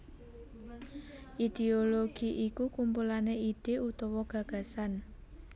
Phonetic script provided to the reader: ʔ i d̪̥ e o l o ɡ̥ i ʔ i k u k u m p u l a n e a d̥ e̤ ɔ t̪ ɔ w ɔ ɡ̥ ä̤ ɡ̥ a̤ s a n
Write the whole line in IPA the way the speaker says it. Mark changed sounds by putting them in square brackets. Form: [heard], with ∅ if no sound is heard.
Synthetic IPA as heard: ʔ i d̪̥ e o l o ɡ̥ i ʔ i k u k u m p u l a n e [i] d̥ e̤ [u] t̪ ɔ w ɔ ɡ̥ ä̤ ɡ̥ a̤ s a n